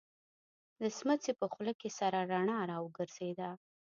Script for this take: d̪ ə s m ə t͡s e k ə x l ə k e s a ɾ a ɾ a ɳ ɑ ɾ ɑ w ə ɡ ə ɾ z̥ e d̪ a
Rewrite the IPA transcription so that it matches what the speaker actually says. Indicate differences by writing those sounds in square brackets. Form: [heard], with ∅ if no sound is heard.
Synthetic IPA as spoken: d̪ ə s m ə t͡s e [p] ə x l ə k e s a ɾ a ɾ a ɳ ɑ ɾ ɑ w ə ɡ ə ɾ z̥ e d̪ a